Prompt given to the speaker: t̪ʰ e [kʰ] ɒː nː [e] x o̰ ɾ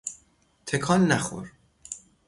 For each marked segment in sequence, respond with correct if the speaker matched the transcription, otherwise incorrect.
correct, incorrect

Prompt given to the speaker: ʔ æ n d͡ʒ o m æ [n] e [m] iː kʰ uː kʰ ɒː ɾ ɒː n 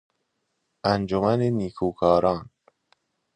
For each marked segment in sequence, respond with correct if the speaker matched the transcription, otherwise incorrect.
correct, incorrect

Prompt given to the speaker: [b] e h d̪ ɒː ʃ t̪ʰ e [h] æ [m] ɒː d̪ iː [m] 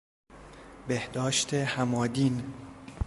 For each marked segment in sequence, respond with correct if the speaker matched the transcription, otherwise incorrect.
correct, correct, correct, incorrect

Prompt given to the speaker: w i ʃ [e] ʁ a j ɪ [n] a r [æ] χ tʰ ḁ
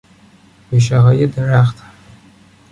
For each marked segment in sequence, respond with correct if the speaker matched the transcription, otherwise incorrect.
incorrect, incorrect, incorrect

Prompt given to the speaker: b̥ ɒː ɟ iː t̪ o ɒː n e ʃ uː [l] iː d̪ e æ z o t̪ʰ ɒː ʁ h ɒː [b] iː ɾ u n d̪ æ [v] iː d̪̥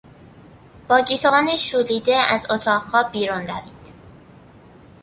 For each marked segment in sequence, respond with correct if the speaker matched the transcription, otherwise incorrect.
correct, correct, correct

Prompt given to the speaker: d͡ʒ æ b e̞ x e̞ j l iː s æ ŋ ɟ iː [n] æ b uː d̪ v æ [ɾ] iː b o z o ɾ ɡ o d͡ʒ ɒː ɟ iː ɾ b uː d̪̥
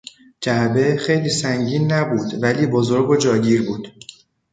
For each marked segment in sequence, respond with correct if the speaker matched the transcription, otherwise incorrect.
incorrect, incorrect

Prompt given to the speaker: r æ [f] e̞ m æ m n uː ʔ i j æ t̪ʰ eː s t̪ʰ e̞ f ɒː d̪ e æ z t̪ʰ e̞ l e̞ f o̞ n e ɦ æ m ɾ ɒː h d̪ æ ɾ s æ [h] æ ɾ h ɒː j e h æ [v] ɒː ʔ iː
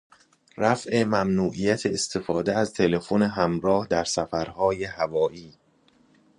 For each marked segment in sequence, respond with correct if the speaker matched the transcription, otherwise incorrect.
correct, incorrect, correct

